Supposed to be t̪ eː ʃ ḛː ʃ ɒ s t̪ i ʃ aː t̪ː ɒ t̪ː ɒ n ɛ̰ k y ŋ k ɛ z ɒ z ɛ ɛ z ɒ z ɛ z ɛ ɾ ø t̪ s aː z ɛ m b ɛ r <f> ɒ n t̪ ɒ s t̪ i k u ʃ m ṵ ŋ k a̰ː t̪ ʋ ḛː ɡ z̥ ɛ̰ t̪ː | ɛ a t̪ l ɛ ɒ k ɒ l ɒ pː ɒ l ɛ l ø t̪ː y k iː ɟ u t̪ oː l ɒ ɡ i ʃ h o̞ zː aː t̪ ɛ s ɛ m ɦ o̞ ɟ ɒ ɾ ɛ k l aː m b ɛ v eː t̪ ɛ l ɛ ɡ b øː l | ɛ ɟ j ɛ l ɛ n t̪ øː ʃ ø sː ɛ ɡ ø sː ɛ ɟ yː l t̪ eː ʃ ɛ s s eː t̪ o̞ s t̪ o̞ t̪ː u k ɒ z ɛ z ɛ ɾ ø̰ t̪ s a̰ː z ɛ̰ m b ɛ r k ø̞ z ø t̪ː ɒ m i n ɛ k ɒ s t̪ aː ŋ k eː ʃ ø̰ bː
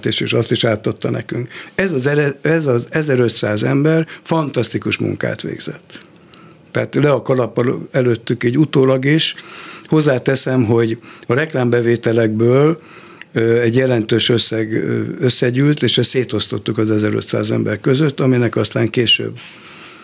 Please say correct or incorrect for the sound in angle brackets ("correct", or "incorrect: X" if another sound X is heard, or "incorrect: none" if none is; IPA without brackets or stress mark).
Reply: correct